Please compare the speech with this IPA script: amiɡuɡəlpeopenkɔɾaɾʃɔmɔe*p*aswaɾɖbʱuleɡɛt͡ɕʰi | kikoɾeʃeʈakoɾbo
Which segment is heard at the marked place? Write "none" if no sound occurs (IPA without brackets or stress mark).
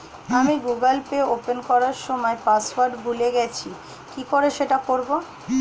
p